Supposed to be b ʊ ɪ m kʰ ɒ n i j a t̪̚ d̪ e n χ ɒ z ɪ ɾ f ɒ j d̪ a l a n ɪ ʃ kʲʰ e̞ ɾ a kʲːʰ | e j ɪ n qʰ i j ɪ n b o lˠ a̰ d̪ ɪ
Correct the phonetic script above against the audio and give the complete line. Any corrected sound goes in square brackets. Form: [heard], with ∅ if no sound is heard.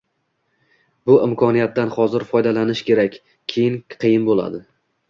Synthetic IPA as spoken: b ʊ ɪ m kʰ ɒ n i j a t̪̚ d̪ [a] n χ ɒ z ɪ ɾ f ɒ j d̪ a l a n ɪ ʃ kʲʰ e̞ ɾ a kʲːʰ | e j ɪ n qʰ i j ɪ n b o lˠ a̰ d̪ ɪ